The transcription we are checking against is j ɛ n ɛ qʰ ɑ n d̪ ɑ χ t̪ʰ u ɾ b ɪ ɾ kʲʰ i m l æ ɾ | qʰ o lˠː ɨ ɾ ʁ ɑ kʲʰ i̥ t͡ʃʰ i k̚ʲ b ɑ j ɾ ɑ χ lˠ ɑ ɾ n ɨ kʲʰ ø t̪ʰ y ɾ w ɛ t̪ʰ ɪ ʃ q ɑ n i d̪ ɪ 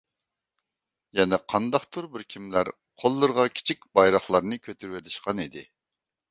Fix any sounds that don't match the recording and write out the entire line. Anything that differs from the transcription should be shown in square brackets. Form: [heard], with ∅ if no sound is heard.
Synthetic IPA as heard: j ɛ n ɛ qʰ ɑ n d̪ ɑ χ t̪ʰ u ɾ b ɪ ɾ kʲʰ i m l æ ɾ | qʰ o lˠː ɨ ɾ ʁ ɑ kʲʰ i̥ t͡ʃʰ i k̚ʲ b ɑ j ɾ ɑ χ lˠ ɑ ɾ n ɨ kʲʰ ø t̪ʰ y ɾ w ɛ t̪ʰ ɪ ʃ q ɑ n i d̪ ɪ